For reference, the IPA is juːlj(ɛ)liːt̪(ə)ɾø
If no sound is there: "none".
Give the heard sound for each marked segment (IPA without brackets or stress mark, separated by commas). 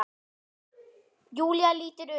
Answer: a, ə